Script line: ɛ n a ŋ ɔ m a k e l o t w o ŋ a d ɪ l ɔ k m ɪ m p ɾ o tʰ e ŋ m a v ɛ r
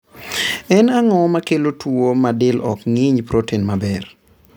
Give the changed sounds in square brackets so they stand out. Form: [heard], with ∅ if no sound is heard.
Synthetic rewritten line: ɛ n a ŋ ɔ m a k e l o t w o [m] a d ɪ l ɔ k [ŋ] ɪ [ɲ] p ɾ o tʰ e [n] m a [b] ɛ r